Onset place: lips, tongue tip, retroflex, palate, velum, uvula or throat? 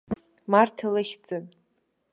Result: lips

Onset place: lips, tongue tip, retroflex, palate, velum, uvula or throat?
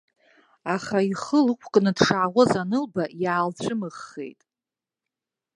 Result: uvula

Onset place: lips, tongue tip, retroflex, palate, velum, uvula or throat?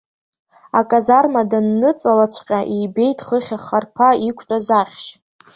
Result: velum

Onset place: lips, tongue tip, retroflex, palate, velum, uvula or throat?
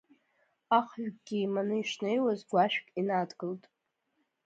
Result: uvula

